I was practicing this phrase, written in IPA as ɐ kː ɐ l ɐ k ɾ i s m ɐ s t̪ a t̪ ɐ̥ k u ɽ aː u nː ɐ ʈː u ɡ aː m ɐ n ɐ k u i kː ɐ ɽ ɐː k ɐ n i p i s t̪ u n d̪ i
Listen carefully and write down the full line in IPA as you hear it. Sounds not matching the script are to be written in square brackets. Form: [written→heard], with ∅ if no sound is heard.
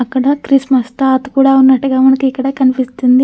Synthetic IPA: ɐ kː ɐ [l→ɽ] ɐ k ɾ i s m ɐ s t̪ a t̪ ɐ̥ k [u→uː] ɽ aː u nː ɐ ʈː u ɡ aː m ɐ n ɐ k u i kː ɐ ɽ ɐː k ɐ n i p i s t̪ u n d̪ i

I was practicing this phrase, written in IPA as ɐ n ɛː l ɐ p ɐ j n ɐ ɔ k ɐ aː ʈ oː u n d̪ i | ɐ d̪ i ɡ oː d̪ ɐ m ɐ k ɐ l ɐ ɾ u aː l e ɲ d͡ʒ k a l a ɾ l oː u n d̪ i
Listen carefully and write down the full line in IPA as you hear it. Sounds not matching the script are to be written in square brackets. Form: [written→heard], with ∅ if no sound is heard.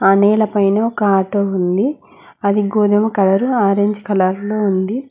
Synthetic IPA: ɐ n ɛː l ɐ p ɐ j n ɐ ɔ k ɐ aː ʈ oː u n d̪ i | ɐ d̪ i ɡ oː d̪ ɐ m ɐ k ɐ l ɐ ɾ u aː [l→ɾ] e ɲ d͡ʒ k [a→ɐ] l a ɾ l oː u n d̪ i

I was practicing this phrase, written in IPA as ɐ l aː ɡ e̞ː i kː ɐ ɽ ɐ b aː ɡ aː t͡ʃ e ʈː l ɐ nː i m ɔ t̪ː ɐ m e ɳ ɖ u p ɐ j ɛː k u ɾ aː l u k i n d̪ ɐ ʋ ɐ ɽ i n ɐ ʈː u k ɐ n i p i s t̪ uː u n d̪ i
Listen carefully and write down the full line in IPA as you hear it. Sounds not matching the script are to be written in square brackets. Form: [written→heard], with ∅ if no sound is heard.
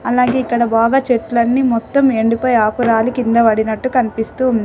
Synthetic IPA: ɐ l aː ɡ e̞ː i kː ɐ ɽ ɐ b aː ɡ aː t͡ʃ e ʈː l ɐ nː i m ɔ t̪ː ɐ m e ɳ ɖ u p ɐ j [ɛː→aː] k u ɾ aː l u k i n d̪ ɐ ʋ ɐ ɽ i n ɐ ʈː u k ɐ n i p i s t̪ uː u n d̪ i

